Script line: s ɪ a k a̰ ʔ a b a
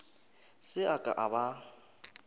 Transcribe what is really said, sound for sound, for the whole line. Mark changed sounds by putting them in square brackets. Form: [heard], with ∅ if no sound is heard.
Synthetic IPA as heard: s ɪ a [kʼ] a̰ ʔ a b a